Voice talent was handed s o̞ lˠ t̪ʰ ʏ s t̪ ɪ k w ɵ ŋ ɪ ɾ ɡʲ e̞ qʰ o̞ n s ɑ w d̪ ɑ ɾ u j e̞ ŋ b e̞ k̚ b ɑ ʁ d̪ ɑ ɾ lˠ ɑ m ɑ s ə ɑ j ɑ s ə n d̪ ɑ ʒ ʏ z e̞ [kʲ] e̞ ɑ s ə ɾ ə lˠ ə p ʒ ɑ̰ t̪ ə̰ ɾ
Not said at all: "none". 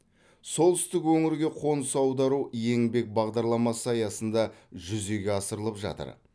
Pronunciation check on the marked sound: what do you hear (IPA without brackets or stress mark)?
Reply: ɡʲ